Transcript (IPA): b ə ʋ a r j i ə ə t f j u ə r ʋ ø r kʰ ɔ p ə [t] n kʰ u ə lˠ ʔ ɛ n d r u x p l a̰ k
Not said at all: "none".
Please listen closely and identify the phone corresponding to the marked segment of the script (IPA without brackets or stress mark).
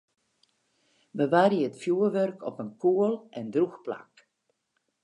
none